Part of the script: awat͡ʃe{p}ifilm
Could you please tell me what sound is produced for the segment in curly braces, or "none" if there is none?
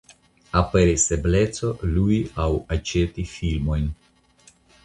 t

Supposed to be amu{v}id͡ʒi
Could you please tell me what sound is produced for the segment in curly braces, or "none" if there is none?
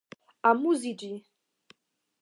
z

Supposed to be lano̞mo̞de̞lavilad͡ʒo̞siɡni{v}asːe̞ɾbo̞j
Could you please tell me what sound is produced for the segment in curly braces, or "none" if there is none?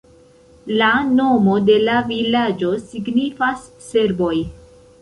f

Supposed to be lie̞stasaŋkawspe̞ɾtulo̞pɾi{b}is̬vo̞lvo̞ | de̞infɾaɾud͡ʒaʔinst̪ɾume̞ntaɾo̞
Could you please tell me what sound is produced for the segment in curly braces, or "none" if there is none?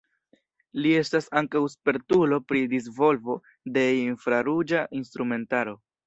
d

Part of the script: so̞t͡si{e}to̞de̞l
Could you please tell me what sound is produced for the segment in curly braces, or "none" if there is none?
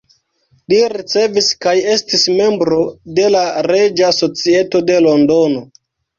e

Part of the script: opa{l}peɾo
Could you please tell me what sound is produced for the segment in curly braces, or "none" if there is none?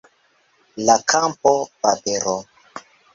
none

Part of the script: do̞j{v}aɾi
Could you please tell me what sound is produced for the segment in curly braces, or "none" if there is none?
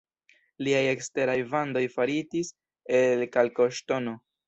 f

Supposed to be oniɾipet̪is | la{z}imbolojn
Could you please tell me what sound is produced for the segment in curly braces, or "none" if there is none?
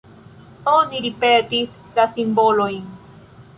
s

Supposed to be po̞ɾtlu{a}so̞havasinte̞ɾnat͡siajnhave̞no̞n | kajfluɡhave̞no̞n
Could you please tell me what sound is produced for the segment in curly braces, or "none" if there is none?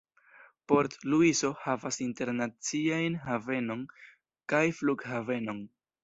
i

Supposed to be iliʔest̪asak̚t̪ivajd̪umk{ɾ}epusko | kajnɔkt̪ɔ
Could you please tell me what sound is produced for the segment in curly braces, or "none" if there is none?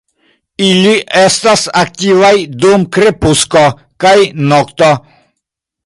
ɾ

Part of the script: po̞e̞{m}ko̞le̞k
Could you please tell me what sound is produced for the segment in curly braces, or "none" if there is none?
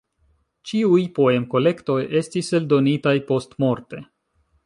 m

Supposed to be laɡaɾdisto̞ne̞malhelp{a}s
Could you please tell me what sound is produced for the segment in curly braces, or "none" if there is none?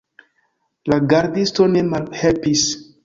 i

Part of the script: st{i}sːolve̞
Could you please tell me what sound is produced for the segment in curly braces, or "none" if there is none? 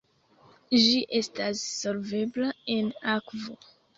a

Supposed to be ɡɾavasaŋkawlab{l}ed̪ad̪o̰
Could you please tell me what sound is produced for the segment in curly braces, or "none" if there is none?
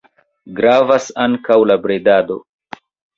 ɾ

